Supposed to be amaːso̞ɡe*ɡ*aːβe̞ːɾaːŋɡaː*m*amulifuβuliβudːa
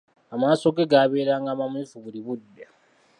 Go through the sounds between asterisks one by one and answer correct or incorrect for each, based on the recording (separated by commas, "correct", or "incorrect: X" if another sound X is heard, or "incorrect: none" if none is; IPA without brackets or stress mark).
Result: correct, correct